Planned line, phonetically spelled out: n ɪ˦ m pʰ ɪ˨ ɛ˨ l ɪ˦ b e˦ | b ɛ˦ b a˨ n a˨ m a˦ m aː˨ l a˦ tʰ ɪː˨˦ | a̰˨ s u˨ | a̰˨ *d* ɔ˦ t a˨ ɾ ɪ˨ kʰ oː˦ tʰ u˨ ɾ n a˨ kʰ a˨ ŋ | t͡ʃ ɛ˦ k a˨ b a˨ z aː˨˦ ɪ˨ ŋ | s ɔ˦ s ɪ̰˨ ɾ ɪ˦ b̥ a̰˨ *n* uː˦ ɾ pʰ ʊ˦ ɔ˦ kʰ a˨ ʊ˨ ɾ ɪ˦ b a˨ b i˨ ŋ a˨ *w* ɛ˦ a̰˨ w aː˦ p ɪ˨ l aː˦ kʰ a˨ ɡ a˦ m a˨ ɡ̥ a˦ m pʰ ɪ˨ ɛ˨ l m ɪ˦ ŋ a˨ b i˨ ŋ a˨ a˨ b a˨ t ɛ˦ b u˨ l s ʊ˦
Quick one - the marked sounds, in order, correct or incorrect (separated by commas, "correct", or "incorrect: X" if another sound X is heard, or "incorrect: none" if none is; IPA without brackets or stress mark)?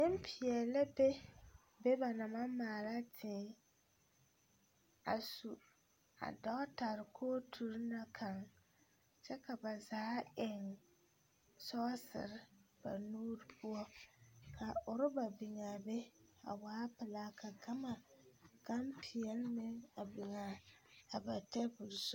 correct, correct, incorrect: b